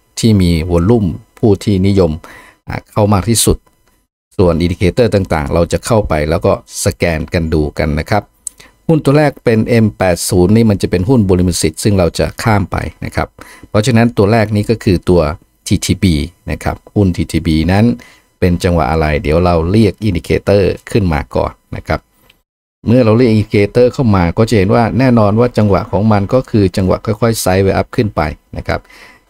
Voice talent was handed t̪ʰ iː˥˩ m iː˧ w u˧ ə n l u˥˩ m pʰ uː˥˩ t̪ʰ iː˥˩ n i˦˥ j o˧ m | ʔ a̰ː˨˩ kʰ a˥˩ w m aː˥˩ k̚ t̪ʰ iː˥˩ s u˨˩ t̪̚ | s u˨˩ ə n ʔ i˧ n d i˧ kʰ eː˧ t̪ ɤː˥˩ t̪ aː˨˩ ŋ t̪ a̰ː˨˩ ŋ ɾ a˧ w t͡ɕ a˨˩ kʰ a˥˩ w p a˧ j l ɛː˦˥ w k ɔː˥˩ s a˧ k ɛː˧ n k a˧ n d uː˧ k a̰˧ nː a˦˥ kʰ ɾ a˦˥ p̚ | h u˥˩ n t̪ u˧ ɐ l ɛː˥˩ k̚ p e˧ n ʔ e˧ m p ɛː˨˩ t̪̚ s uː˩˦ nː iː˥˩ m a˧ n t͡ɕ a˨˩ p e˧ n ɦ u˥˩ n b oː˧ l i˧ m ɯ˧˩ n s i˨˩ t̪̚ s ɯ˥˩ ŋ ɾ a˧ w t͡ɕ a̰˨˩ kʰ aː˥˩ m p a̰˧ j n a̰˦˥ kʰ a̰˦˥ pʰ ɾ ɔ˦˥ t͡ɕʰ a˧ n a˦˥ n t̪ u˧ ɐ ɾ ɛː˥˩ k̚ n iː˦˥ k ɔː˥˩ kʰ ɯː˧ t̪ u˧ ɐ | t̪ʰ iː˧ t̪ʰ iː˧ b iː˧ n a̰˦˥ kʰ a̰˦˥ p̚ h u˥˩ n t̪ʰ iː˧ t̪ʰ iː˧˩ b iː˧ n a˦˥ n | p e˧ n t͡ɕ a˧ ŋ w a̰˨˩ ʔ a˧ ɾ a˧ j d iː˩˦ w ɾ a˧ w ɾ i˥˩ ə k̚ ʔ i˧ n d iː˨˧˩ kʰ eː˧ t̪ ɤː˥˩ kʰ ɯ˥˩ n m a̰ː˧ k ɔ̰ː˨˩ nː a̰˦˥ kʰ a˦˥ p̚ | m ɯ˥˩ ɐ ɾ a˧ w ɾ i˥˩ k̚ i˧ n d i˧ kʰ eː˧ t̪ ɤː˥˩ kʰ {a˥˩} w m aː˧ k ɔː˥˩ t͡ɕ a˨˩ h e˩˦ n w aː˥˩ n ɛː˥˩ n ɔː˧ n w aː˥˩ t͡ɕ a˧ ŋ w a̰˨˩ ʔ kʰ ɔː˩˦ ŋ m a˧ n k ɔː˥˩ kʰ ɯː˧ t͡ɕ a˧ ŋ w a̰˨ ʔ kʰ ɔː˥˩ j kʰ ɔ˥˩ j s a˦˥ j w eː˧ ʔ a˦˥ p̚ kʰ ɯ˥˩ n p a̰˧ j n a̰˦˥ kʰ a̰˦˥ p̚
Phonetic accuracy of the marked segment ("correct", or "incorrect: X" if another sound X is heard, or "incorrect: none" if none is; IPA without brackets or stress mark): correct